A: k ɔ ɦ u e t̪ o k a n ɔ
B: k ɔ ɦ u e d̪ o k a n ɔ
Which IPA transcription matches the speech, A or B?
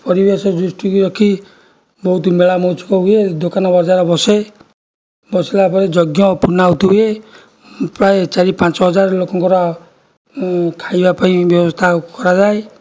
B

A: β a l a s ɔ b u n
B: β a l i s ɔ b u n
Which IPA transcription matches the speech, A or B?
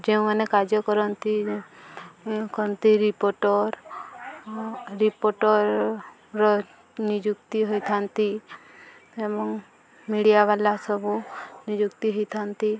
A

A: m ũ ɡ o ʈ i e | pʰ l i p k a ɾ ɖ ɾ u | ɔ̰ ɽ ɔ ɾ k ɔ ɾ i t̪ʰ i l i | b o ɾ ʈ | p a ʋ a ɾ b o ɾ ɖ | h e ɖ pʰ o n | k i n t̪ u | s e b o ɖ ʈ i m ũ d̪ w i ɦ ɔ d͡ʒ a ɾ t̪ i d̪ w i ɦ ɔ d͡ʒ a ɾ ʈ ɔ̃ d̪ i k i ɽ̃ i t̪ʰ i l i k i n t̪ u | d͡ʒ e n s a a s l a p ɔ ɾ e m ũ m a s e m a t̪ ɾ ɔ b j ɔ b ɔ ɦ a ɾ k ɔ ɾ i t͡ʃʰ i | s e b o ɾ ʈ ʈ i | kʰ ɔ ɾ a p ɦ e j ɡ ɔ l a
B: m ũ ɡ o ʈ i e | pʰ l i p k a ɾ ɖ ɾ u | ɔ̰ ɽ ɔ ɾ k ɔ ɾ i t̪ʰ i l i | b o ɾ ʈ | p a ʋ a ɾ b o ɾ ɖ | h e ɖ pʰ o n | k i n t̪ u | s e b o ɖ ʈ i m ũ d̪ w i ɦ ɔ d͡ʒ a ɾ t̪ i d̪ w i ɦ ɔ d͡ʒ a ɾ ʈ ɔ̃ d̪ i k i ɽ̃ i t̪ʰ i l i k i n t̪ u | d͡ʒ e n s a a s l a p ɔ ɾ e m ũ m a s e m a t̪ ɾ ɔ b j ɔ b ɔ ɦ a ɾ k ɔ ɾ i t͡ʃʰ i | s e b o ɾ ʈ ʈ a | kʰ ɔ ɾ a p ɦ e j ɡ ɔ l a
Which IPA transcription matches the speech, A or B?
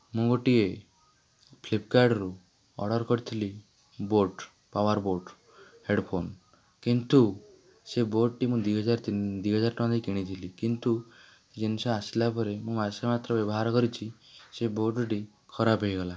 A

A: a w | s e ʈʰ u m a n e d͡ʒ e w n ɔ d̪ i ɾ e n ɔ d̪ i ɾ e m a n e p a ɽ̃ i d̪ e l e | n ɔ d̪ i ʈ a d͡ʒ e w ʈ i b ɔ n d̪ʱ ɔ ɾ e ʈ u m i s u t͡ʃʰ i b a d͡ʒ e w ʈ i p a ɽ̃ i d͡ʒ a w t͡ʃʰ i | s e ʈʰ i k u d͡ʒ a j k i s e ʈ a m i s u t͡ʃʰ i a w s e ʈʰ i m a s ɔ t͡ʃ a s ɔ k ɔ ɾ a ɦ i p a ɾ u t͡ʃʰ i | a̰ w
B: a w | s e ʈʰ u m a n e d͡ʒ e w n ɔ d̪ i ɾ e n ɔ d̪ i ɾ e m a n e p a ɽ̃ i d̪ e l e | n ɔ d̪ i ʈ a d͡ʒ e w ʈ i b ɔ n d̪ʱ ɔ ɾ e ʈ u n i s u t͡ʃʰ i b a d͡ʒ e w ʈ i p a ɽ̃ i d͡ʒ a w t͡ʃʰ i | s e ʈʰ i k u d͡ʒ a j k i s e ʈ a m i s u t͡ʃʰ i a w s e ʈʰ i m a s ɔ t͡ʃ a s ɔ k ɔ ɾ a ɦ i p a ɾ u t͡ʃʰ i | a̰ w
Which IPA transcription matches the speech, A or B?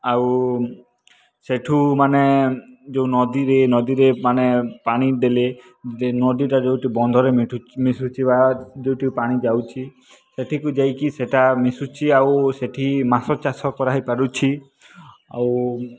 A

